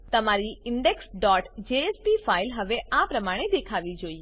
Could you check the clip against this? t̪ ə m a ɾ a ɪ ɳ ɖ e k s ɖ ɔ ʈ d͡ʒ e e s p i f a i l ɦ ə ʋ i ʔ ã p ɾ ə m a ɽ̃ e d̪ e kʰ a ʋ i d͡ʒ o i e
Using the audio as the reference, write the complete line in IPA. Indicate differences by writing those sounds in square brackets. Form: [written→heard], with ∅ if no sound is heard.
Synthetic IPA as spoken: t̪ ə m a ɾ [a→i] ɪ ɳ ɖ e k s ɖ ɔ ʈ d͡ʒ e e s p i f a i l ɦ ə ʋ [i→e] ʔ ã p ɾ ə m a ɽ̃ e d̪ e kʰ a ʋ i d͡ʒ o i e